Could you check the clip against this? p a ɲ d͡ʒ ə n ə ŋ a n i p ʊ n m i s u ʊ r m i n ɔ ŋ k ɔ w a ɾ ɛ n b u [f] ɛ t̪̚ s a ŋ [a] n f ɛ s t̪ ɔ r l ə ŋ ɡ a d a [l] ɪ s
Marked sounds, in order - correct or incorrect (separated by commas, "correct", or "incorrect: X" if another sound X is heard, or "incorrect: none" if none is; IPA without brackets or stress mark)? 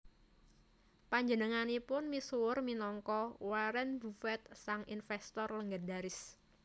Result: correct, incorrect: i, incorrect: ɾ